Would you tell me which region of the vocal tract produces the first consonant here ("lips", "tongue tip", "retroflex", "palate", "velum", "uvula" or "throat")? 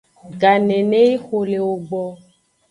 velum